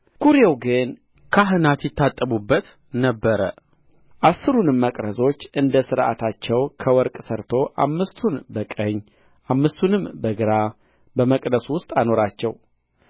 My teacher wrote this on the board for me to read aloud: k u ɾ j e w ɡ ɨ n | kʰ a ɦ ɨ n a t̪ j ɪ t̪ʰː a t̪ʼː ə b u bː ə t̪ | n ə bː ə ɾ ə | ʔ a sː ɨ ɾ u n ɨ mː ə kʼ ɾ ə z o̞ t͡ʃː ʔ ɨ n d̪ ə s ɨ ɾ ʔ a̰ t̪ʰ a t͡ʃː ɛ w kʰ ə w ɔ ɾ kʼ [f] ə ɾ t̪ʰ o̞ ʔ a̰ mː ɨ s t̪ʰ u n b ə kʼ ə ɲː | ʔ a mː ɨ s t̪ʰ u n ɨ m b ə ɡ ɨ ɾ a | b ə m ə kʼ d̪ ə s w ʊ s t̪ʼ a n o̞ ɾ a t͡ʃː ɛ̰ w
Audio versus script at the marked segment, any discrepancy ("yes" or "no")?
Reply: yes